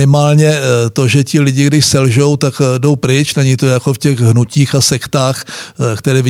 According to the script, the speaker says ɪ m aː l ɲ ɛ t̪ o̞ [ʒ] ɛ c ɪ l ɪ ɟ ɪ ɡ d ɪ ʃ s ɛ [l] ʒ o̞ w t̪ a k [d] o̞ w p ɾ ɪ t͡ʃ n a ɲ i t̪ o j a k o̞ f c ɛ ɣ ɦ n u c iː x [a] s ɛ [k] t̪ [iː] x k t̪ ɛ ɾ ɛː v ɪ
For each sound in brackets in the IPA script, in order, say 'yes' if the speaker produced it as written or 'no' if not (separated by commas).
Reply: yes, yes, yes, yes, yes, no